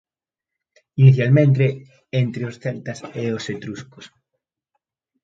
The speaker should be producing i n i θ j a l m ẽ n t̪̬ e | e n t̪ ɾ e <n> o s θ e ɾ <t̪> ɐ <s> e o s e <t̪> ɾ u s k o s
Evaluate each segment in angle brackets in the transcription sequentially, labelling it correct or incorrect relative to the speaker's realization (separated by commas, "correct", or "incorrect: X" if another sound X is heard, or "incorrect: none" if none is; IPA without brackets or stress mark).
incorrect: none, correct, correct, correct